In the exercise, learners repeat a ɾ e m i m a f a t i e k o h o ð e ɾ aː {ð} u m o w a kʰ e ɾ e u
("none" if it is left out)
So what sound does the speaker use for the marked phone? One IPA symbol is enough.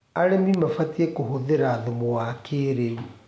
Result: ð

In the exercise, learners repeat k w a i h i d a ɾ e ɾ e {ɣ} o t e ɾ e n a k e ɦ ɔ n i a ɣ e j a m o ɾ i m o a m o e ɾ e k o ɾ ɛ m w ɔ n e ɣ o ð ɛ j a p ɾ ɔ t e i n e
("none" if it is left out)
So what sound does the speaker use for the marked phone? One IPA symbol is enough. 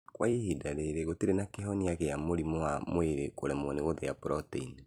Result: ɣ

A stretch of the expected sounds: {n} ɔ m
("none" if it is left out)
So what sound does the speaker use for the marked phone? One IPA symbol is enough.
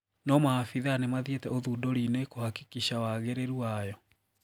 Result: n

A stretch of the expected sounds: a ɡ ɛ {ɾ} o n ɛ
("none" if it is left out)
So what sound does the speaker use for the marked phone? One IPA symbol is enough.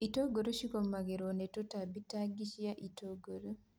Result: ɾ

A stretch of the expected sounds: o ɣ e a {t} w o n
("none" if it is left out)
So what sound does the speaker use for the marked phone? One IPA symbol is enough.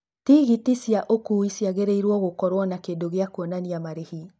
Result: k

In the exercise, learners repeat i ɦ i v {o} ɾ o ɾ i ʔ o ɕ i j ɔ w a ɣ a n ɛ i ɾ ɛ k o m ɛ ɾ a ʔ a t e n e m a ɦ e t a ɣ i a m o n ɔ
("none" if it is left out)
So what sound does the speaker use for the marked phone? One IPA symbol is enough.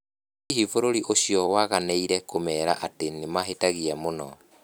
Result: o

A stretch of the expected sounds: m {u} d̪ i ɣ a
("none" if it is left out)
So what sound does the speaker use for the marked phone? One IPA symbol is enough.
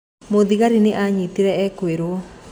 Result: o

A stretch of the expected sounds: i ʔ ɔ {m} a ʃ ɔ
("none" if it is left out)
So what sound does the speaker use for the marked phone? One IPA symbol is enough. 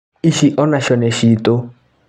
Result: n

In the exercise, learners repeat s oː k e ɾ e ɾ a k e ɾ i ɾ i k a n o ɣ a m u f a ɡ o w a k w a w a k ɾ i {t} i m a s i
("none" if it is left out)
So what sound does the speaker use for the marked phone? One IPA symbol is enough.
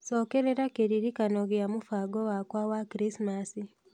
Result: s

